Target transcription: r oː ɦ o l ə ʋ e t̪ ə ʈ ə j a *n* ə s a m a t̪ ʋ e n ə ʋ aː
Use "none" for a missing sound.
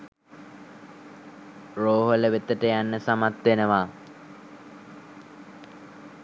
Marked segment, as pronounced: nː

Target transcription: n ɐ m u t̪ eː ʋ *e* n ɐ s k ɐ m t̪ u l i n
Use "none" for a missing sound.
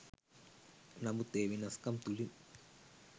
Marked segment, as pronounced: i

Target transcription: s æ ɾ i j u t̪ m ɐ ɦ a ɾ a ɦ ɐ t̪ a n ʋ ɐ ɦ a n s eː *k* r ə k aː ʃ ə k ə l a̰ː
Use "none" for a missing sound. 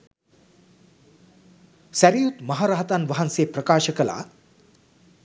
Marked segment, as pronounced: p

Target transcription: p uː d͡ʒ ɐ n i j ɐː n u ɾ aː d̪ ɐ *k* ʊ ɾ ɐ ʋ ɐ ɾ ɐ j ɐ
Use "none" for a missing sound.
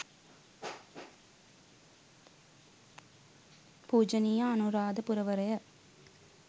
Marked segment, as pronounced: p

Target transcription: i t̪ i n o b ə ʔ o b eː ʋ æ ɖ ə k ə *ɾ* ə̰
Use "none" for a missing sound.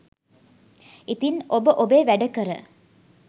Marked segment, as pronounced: ɾ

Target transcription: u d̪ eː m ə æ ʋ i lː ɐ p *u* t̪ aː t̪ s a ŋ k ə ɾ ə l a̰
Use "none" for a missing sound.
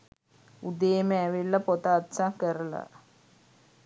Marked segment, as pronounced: o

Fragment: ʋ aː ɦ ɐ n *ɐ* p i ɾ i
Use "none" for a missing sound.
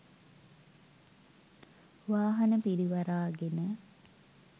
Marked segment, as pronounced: ə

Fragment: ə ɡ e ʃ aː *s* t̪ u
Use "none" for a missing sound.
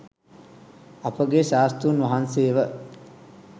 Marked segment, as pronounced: s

